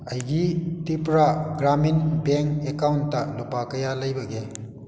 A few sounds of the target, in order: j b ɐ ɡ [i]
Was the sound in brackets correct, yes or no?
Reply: no